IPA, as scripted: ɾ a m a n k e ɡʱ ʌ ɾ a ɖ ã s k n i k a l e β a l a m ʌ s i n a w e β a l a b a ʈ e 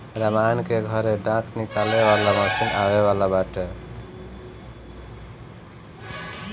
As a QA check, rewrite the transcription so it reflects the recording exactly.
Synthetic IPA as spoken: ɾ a m a n k e ɡʱ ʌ ɾ e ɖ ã k n i k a l e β a l a m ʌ s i n a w e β a l a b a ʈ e